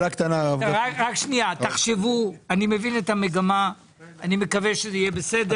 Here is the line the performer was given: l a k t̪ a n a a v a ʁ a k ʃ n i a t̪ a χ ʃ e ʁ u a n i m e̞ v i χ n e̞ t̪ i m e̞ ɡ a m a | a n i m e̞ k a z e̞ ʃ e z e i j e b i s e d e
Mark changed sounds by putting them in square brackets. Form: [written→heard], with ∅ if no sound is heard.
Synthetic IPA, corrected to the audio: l a k t̪ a n a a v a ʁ a k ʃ n i a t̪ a χ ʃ e [ʁ→v] u a n i m e̞ v i [χ→∅] n e̞ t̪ [i→a] m e̞ ɡ a m a | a n i m e̞ k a [z→v] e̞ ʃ e z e i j e b [i→e] s e d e